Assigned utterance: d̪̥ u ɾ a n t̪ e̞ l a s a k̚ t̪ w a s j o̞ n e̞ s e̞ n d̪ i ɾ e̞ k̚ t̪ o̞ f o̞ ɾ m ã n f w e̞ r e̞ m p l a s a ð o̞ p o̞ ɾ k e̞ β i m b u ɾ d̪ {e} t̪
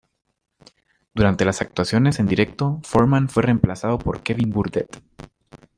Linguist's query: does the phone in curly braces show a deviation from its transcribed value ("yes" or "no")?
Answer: no